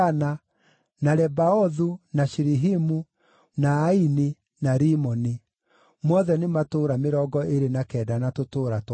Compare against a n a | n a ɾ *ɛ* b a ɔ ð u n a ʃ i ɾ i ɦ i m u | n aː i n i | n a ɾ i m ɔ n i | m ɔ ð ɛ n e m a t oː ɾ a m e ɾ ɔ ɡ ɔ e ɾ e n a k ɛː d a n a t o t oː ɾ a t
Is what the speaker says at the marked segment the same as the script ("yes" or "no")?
yes